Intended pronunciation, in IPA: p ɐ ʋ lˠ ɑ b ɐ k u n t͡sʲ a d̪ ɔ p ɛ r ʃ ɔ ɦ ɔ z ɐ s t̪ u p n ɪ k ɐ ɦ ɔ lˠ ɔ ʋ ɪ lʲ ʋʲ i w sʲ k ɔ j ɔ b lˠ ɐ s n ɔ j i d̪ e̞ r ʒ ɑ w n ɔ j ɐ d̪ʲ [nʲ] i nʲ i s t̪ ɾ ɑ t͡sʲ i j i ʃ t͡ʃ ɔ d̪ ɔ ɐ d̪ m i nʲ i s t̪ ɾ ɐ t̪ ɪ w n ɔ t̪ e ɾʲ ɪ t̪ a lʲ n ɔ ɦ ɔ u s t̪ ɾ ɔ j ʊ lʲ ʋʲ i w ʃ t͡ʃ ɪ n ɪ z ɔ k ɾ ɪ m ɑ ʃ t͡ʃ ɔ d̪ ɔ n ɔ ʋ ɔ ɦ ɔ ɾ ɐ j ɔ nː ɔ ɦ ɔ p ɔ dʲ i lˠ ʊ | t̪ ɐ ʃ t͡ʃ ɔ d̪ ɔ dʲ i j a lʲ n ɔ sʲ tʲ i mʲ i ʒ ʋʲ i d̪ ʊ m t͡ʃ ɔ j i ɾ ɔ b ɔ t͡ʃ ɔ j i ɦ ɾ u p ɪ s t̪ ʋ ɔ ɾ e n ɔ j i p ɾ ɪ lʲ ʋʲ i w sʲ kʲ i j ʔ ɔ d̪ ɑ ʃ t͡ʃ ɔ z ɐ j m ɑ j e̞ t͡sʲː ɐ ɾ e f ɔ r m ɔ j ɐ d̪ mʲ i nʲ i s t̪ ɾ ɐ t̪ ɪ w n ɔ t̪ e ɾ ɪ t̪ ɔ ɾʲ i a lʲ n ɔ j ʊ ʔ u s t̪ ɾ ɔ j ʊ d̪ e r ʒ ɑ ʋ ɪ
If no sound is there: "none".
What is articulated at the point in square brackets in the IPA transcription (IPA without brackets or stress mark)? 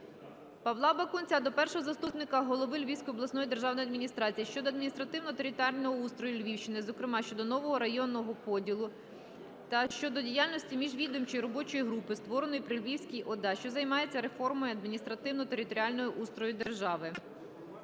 mʲ